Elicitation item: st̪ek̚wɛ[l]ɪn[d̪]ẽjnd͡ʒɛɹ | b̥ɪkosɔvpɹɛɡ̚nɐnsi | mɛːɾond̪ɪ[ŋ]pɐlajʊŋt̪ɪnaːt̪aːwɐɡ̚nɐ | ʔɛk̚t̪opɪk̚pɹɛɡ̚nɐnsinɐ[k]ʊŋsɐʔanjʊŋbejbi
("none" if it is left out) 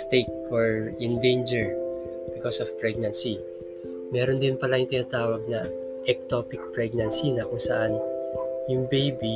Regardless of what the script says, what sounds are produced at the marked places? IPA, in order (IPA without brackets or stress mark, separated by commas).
ɹ, d̪, n, k